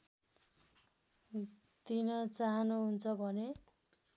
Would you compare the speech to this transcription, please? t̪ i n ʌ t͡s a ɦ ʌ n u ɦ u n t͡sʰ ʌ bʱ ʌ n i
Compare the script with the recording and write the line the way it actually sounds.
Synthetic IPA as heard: t̪ i n ʌ t͡s a ɦ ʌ n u ɦ u n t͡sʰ ʌ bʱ ʌ n e